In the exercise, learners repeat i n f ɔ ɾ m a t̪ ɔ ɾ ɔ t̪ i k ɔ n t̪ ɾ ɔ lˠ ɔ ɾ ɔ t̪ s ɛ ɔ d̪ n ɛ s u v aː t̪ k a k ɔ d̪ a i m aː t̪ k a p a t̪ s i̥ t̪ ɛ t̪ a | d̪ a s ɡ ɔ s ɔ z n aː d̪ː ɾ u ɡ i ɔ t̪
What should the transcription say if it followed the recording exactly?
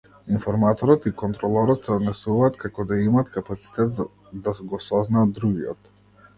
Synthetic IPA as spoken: i n f ɔ ɾ m a t̪ ɔ ɾ ɔ t̪ i k ɔ n t̪ ɾ ɔ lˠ ɔ ɾ ɔ t̪ s ɛ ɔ d̪ n ɛ s u v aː t̪ k a k ɔ d̪ a i m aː t̪ k a p a t̪ s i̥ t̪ ɛ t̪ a | d̪ a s ɡ ɔ s ɔ z n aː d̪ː ɾ u ɡ i ɔ t̪